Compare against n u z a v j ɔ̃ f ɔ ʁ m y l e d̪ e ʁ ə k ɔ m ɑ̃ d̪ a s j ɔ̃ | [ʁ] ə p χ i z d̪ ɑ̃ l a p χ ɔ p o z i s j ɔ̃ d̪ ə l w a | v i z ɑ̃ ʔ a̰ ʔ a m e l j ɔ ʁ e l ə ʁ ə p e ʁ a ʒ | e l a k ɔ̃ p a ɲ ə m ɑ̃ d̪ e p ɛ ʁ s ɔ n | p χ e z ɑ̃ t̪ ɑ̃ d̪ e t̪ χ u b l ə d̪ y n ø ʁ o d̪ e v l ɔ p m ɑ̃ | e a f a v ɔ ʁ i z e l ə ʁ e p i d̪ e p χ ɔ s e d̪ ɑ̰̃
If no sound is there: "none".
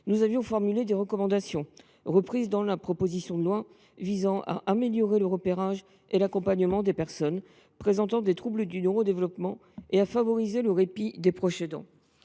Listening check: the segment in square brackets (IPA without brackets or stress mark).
ʁ